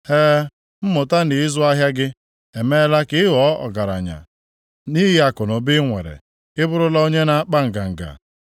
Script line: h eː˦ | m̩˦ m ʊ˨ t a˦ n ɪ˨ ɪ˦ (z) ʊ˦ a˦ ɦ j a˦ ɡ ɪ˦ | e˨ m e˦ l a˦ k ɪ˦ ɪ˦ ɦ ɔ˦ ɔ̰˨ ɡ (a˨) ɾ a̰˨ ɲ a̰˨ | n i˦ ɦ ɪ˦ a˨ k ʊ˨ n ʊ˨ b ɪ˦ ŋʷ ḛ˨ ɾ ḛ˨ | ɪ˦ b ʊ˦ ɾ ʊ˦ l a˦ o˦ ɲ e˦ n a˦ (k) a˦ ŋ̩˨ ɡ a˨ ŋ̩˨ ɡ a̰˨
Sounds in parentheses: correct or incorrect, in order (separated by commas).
correct, correct, incorrect